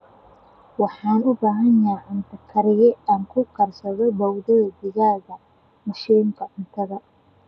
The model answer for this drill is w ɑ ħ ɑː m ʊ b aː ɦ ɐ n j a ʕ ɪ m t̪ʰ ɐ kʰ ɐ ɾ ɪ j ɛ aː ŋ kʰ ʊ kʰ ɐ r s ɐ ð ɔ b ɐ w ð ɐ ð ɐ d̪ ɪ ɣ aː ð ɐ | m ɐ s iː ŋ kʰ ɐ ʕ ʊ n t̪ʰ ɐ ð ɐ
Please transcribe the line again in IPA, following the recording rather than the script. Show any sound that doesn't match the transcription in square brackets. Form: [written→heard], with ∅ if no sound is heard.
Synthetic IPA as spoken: w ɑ ħ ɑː [m→n] ʊ b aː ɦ ɐ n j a ʕ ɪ [m→n] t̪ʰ ɐ kʰ ɐ ɾ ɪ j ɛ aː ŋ kʰ ʊ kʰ ɐ r s ɐ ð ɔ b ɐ w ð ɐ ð ɐ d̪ ɪ ɣ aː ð ɐ | m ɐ [s→ʃ] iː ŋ kʰ ɐ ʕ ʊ n t̪ʰ ɐ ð ɐ